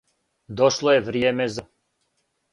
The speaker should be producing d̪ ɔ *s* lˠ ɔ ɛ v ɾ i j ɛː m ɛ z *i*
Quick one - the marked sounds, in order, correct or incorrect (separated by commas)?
incorrect, incorrect